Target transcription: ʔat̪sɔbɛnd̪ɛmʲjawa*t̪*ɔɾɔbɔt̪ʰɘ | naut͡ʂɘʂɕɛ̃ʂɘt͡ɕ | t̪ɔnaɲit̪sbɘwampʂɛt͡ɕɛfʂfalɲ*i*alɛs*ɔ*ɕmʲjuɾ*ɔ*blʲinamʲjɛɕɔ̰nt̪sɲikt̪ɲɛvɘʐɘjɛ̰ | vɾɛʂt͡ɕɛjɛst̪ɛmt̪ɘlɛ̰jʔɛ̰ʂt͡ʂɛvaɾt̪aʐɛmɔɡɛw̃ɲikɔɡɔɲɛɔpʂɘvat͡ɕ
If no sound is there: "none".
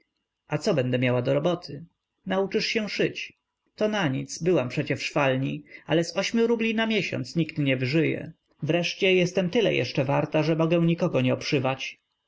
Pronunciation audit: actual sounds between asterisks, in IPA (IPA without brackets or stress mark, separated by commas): d̪, i, ɔ, u